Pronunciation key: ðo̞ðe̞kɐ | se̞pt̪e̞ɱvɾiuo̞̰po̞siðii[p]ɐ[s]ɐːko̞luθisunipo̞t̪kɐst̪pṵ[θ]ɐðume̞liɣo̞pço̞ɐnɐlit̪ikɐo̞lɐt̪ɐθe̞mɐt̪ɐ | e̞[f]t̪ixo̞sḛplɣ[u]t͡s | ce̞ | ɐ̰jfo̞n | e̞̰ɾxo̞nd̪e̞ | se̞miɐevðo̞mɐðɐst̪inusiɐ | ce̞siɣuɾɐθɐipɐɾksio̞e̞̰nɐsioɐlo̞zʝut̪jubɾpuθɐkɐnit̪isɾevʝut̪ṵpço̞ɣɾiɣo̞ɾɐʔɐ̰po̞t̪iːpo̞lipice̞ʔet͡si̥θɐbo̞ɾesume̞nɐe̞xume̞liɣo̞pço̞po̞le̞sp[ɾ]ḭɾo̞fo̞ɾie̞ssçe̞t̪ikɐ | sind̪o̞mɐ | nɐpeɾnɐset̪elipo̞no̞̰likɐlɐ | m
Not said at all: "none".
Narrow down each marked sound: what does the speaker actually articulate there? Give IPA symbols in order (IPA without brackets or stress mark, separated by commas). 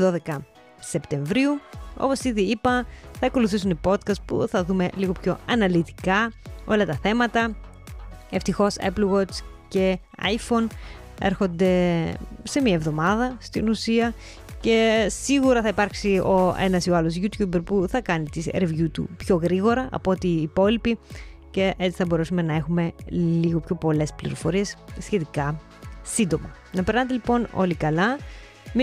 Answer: p, θ, θ, f, o, l